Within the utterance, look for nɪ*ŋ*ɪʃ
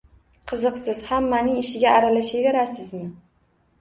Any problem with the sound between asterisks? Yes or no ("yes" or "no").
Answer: no